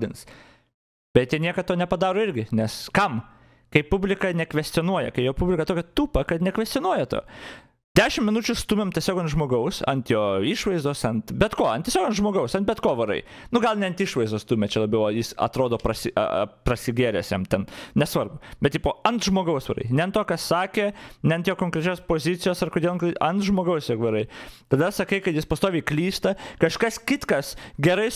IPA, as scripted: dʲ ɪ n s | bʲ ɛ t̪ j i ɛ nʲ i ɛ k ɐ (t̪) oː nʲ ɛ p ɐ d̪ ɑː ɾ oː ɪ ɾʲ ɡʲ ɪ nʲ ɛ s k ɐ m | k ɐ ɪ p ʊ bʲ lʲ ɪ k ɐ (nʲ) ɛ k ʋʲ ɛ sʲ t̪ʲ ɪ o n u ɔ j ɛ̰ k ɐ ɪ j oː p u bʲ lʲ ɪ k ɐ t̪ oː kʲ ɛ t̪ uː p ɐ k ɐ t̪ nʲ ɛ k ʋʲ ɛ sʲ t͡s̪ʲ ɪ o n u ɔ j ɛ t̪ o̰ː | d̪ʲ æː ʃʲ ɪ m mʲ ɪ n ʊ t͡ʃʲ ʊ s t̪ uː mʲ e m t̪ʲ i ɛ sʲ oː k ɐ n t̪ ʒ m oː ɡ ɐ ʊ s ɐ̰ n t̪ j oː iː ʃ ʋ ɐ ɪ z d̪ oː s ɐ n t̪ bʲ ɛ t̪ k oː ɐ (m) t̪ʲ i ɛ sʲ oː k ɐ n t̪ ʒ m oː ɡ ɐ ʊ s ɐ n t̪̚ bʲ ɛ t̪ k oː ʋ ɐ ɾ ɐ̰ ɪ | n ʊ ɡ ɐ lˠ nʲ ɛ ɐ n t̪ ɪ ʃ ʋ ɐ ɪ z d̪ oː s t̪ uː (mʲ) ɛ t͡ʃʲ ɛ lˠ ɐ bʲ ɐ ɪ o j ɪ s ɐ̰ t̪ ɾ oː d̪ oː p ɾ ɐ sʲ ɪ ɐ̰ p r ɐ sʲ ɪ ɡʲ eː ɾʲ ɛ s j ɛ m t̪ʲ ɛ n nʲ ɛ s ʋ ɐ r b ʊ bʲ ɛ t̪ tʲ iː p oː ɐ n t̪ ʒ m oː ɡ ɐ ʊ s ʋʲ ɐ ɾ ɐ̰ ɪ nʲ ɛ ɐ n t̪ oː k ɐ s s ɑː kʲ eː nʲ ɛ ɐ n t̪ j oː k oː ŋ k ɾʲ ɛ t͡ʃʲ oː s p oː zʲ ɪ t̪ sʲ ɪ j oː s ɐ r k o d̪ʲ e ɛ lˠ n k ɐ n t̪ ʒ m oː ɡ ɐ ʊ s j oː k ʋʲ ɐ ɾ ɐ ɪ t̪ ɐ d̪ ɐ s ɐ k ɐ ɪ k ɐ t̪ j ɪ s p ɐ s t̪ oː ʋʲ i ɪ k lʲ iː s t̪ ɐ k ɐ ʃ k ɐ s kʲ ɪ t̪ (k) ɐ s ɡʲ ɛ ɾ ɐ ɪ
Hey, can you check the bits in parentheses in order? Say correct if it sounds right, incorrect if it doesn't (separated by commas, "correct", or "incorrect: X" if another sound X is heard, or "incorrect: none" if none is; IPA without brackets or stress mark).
correct, correct, incorrect: n, correct, correct